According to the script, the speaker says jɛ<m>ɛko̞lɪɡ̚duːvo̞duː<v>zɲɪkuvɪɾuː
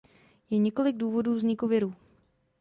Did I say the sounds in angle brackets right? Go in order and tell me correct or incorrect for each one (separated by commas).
incorrect, correct